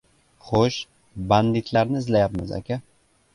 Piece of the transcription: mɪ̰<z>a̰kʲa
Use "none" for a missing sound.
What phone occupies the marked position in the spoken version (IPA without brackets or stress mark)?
z